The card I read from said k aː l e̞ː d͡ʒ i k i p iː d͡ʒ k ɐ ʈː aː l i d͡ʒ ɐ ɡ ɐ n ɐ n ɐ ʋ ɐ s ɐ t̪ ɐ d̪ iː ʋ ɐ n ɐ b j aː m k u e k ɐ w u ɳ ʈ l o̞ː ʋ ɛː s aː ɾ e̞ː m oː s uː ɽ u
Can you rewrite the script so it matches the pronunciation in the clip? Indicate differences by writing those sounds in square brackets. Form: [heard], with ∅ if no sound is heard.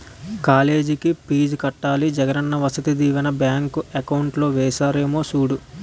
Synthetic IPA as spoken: k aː l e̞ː d͡ʒ i k i p iː d͡ʒ k ɐ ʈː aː l i d͡ʒ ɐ ɡ ɐ n ɐ [nː] ɐ ʋ ɐ s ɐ t̪ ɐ d̪ iː ʋ ɐ n ɐ b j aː [ŋ] k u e k ɐ w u ɳ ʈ l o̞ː ʋ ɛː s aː ɾ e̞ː m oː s uː ɽ u